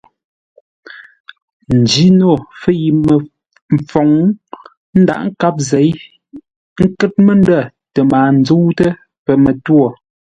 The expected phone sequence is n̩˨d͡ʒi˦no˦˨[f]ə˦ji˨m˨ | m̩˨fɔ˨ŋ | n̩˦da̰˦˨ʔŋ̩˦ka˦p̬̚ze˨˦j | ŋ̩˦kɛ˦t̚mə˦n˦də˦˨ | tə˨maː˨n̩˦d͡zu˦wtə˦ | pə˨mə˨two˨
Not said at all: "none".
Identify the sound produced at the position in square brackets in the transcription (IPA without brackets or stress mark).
f